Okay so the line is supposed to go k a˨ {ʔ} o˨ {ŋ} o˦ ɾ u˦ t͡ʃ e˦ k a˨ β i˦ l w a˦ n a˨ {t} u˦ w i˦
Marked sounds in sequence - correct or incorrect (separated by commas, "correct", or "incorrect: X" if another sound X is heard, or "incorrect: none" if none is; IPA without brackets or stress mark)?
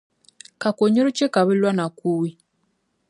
incorrect: k, incorrect: ɲ, incorrect: k